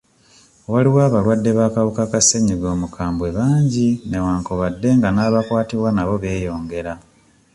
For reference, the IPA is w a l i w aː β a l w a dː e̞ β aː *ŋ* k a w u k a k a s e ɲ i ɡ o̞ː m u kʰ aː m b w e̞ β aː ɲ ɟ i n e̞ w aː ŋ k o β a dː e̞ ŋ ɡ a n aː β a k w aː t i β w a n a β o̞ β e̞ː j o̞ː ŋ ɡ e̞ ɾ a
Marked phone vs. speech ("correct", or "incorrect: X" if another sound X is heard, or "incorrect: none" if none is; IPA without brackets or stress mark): incorrect: none